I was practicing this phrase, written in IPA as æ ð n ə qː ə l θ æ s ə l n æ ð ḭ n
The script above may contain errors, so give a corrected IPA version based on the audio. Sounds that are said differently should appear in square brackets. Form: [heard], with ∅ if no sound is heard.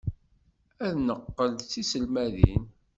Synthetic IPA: æ ð n ə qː ə l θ [i] s ə l [m] æ ð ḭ n